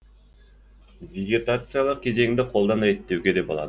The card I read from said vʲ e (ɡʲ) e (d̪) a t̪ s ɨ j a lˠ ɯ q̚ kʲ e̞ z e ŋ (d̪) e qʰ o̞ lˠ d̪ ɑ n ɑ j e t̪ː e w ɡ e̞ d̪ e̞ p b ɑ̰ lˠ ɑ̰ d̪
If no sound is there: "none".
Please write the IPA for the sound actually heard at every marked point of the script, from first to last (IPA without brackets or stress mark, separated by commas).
ɡʲ, t̪, d̪